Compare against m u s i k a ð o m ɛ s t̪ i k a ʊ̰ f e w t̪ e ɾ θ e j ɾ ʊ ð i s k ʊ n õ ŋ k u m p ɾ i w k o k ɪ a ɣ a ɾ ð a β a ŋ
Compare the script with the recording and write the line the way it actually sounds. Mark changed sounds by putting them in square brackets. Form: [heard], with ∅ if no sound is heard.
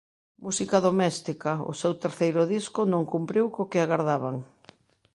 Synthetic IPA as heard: m u s i k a ð o m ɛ s t̪ i k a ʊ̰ [s] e w t̪ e ɾ θ e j ɾ ʊ ð i s k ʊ n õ ŋ k u m p ɾ i w k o k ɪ a ɣ a ɾ ð a β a ŋ